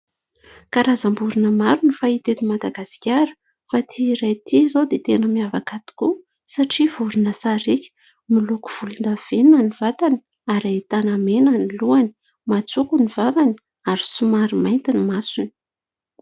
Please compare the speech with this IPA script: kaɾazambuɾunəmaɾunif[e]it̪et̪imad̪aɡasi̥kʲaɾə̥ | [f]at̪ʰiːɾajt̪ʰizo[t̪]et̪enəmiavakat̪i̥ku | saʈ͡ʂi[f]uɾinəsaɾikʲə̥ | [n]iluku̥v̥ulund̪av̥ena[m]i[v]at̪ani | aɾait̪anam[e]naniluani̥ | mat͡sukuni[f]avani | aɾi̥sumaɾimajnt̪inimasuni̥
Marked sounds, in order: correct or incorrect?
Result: incorrect, correct, incorrect, incorrect, incorrect, incorrect, correct, correct, incorrect

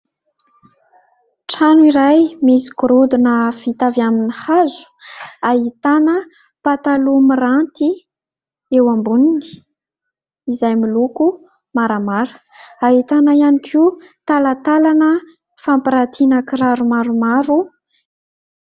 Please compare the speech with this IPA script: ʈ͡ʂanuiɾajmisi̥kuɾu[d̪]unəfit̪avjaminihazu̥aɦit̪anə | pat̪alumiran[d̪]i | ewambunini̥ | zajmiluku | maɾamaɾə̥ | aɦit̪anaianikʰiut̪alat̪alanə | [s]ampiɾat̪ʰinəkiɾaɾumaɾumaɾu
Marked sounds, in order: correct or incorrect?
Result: correct, incorrect, incorrect

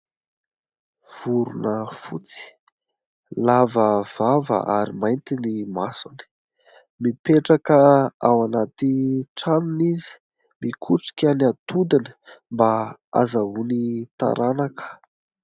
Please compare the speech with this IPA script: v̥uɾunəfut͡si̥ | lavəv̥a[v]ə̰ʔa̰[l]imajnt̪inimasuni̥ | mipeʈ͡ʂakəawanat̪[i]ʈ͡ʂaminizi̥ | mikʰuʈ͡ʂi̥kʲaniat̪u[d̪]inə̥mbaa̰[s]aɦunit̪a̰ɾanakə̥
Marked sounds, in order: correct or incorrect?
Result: correct, incorrect, correct, correct, incorrect

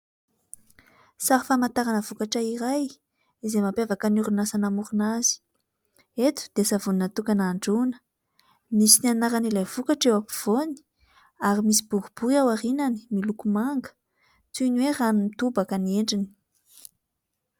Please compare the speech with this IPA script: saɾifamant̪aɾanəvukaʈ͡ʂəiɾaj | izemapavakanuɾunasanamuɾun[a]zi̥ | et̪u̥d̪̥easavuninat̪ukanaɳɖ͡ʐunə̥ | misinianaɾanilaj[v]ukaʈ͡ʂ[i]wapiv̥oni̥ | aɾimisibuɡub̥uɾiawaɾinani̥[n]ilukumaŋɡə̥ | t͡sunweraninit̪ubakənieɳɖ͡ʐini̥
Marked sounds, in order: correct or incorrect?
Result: correct, correct, incorrect, incorrect

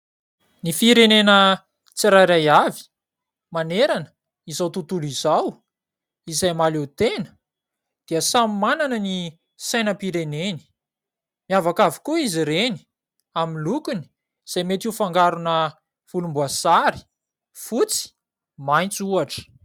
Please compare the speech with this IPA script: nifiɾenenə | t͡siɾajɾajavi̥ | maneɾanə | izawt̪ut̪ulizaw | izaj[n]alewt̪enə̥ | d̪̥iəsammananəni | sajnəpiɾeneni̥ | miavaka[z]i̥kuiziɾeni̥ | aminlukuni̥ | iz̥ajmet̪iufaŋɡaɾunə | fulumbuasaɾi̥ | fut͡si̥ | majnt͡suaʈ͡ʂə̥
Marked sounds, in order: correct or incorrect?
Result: incorrect, incorrect

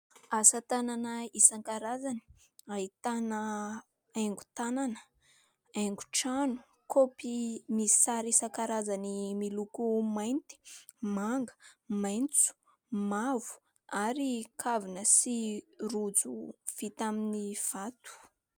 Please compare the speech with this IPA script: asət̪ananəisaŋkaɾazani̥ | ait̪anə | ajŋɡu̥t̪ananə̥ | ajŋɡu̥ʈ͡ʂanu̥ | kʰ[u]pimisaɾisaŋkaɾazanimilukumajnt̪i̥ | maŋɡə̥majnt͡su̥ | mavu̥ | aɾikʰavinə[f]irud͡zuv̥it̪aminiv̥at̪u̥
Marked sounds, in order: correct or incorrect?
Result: incorrect, incorrect

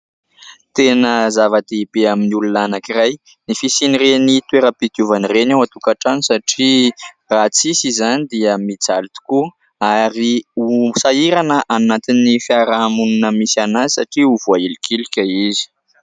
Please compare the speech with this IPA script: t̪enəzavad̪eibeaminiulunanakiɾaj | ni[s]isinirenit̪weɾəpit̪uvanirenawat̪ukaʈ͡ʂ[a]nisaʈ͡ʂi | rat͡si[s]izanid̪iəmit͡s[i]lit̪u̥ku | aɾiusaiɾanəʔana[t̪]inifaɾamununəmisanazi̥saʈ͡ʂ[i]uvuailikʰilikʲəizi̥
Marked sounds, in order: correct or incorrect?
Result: incorrect, correct, correct, incorrect, correct, correct

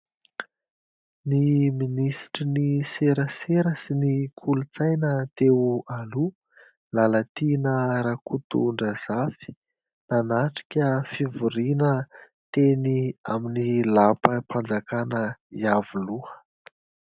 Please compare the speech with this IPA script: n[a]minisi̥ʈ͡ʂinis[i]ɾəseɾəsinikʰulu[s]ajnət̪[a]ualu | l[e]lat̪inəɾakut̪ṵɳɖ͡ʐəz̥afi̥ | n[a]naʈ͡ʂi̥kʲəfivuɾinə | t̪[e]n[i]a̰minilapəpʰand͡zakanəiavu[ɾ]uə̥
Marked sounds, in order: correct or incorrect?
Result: incorrect, incorrect, incorrect, incorrect, incorrect, correct, correct, correct, incorrect

